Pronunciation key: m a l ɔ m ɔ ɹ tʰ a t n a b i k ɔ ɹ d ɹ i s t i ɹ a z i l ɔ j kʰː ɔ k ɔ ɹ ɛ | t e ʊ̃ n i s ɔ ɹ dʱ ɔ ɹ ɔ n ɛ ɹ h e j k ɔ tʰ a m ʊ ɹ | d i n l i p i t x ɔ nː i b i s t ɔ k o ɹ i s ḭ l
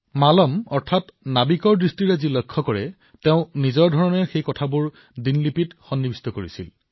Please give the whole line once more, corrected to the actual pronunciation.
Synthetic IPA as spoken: m a l ɔ m ɔ ɹ tʰ a t n a b i k ɔ ɹ d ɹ i s t i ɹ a z i l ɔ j kʰː ɔ k ɔ ɹ ɛ | t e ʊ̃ n i z ɔ ɹ dʱ ɔ ɹ ɔ n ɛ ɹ x e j k ɔ tʰ a b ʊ ɹ | d i n l i p i t x ɔ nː i b i s t ɔ k o ɹ i s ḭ l